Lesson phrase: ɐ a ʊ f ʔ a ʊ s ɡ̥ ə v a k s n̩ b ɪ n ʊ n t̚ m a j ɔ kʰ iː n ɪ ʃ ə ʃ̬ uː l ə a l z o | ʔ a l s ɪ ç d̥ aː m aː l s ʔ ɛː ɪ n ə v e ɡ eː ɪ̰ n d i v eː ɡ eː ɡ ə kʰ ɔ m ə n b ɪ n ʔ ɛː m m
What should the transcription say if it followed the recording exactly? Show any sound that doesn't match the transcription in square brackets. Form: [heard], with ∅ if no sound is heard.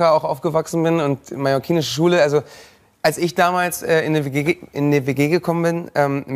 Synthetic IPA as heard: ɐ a ʊ [x] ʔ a ʊ [f] ɡ̥ ə v a k s n̩ b ɪ n ʊ n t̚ m a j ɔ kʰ iː n ɪ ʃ ə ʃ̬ uː l ə a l z o | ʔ a l s ɪ ç d̥ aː m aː l s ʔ ɛː ɪ n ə v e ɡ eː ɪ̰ n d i v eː ɡ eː ɡ ə kʰ ɔ m ə n b ɪ n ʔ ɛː m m